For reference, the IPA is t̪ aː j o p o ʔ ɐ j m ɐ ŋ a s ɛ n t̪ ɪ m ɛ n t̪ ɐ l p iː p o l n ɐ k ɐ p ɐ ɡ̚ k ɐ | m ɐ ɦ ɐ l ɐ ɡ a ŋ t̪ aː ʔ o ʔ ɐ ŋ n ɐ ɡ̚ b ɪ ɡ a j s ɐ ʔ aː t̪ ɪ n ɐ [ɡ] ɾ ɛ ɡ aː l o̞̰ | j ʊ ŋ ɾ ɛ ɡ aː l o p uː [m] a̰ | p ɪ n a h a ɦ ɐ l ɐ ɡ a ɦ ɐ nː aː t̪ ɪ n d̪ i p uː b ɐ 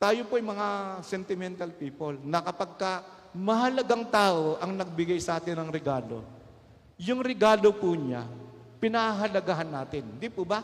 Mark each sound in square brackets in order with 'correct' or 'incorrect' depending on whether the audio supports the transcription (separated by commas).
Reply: incorrect, incorrect